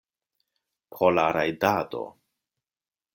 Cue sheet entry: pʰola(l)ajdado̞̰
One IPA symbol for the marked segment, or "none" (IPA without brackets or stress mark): ɾ